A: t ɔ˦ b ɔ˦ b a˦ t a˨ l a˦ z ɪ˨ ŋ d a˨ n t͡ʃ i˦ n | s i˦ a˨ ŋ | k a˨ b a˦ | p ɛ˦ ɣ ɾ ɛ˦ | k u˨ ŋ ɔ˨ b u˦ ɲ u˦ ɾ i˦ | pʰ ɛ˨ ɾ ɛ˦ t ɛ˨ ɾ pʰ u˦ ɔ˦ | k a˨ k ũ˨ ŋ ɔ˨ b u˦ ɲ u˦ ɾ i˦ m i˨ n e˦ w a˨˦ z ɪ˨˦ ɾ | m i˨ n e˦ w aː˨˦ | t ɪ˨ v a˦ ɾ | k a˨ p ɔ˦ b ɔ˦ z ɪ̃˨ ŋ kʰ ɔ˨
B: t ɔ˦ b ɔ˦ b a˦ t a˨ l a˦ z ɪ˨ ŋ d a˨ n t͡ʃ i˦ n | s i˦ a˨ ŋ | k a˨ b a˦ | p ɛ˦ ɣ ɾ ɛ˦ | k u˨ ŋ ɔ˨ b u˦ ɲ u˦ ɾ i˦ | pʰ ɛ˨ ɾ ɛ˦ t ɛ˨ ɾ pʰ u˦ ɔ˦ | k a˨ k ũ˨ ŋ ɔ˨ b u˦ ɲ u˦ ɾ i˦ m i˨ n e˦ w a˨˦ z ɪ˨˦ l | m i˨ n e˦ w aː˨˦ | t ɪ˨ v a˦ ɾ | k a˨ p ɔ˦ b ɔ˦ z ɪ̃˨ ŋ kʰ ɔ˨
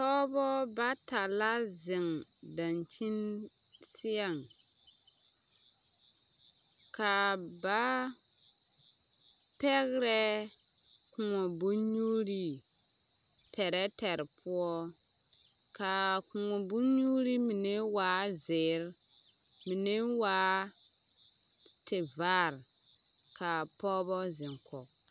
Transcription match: A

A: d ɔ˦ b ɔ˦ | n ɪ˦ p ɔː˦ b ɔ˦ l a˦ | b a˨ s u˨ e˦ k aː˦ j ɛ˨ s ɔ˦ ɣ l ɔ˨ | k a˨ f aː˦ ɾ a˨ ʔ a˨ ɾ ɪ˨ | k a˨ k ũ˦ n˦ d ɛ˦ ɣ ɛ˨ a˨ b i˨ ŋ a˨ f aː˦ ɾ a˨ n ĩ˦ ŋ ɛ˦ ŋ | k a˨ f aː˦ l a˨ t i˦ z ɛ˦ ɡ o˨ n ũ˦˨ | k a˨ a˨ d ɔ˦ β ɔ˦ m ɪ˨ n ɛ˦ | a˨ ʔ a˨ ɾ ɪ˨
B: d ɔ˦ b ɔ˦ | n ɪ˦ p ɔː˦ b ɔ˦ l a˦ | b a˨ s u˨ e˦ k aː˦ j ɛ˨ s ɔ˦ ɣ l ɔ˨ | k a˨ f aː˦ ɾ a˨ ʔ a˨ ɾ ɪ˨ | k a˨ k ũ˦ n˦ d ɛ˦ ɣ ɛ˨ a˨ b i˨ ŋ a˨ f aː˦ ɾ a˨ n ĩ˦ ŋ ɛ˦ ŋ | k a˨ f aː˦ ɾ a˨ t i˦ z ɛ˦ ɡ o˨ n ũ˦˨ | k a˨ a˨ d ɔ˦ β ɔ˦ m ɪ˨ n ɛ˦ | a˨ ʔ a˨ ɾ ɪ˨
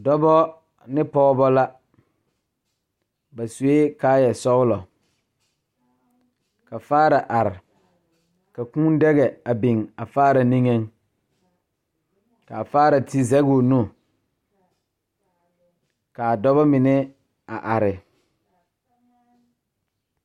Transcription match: B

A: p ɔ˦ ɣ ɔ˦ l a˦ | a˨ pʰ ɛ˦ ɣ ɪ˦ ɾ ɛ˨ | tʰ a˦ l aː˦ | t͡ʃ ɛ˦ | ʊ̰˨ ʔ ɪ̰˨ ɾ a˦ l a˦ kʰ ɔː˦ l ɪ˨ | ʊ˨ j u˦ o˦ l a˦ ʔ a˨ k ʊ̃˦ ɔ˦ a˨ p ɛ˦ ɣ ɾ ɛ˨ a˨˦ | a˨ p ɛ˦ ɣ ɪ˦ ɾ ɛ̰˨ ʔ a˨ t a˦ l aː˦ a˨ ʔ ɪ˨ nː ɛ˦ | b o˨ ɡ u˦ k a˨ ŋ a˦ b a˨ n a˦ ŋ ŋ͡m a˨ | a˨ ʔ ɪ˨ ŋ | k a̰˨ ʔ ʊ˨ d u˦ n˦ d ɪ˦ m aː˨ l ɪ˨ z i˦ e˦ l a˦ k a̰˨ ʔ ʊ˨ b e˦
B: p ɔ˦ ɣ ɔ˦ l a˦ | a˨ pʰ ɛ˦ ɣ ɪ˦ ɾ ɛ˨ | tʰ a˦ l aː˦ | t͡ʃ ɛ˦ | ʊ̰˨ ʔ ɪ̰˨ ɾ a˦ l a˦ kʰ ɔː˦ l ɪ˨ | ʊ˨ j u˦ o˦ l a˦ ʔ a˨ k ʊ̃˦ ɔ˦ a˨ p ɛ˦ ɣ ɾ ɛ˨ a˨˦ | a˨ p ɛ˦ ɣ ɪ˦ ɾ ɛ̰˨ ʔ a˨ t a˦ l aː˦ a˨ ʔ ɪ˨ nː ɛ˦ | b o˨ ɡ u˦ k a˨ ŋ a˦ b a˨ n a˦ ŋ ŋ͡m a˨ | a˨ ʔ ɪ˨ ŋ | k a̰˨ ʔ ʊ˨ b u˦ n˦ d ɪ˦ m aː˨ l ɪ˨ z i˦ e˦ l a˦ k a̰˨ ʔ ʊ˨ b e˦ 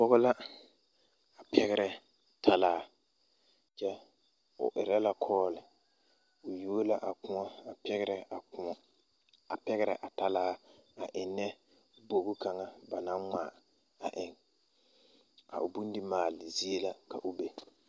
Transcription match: B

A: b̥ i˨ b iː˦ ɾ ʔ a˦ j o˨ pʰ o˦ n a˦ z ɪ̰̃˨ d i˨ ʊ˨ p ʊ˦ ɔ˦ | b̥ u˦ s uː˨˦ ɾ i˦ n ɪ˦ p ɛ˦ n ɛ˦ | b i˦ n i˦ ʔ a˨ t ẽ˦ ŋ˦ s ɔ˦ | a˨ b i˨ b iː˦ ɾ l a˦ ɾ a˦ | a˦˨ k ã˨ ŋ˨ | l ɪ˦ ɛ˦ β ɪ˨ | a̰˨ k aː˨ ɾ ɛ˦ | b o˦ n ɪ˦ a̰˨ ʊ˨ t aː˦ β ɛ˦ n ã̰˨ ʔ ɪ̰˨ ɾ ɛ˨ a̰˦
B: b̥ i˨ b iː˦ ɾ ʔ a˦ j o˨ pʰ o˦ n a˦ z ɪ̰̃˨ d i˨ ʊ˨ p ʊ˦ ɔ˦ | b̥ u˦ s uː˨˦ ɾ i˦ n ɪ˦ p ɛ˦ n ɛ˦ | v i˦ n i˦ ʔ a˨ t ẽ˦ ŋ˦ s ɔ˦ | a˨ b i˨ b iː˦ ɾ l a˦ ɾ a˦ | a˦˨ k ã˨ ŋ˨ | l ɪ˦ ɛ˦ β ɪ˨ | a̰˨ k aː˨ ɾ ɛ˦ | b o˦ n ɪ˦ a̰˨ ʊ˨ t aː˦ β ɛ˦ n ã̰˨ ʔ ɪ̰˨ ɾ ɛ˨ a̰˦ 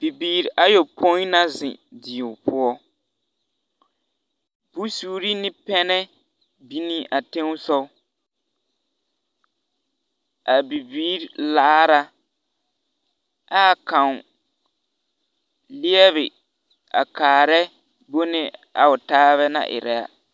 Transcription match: A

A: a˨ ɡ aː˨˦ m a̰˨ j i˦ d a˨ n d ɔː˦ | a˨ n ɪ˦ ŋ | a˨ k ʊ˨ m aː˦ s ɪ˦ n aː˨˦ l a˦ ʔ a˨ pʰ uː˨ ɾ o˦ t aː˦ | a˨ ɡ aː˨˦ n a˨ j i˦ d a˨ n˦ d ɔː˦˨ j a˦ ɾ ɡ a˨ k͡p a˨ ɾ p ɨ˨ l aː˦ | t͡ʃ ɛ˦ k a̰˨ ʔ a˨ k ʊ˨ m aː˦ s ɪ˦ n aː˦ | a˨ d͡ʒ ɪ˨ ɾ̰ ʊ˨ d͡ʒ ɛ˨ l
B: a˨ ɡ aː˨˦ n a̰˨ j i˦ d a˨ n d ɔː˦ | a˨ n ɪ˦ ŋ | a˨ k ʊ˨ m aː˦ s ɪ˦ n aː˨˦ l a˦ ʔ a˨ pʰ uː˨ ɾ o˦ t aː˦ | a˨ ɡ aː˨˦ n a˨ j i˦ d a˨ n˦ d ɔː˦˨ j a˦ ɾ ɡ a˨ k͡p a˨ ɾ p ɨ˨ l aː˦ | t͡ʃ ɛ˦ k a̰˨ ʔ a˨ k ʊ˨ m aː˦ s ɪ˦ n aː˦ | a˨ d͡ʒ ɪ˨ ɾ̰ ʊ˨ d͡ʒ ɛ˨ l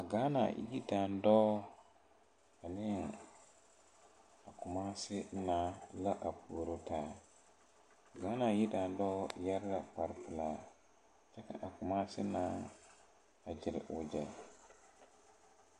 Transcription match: B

